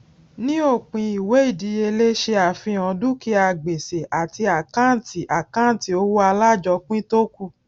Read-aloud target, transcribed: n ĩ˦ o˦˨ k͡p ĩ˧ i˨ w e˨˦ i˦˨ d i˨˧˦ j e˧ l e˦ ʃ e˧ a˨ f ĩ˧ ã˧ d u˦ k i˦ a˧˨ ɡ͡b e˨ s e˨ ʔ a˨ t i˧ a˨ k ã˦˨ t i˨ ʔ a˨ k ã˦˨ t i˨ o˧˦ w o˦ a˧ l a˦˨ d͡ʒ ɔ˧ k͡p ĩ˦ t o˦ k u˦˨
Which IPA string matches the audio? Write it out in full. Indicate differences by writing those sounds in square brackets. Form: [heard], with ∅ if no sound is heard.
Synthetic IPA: n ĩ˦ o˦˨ k͡p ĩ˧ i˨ w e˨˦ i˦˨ d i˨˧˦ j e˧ l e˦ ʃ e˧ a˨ f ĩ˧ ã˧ d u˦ k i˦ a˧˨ ɡ͡b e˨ s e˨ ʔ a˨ t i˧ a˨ k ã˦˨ t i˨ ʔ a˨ k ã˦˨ t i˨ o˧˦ w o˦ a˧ l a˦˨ d͡ʒ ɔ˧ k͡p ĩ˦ t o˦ k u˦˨